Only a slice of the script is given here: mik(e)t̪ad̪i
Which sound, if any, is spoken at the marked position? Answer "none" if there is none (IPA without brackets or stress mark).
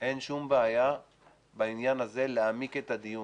e